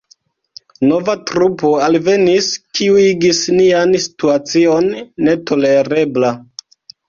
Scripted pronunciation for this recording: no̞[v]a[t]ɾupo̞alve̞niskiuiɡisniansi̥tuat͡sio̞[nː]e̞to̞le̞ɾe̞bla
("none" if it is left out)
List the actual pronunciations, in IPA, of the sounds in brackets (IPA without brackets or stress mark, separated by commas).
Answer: v, t, nː